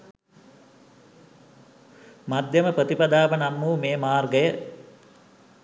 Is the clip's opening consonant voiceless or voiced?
voiced